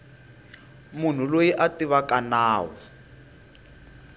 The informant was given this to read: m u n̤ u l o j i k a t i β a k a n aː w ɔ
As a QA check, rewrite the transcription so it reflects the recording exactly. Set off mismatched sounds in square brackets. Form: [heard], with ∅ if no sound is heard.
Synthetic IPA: m u n̤ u l o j i [ʔ] a t i β a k a n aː w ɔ